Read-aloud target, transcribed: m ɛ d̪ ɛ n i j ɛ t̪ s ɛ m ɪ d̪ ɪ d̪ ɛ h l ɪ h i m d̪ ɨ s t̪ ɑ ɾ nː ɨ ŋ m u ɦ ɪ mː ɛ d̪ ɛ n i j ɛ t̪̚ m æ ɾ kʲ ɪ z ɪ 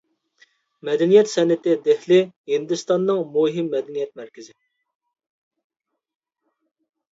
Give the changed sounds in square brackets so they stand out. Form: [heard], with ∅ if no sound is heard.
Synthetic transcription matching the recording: m ɛ d̪ ɛ n i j ɛ t̪ s ɛ [n] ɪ [t̪] ɪ d̪ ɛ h l ɪ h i [n] d̪ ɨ s t̪ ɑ [∅] nː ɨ ŋ m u ɦ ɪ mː ɛ d̪ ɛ n i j ɛ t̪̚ m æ ɾ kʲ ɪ z ɪ